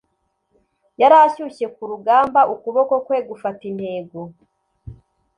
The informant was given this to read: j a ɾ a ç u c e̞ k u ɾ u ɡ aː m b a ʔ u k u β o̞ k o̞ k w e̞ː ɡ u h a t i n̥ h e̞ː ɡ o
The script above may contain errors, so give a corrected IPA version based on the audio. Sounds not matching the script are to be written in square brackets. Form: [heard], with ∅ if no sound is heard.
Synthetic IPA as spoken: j a ɾ a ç u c e̞ k u ɾ u ɡ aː m b a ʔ u k u β o̞ k o̞ k w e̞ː ɡ u [f] a t i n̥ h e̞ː ɡ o